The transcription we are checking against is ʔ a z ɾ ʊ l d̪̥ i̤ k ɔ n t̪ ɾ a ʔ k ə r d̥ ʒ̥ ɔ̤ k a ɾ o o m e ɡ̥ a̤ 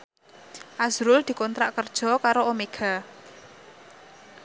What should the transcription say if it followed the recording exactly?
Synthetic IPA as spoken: ʔ a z ɾ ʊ l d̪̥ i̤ k ɔ n t̪ ɾ a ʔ k ə r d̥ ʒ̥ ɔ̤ k a ɾ o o m e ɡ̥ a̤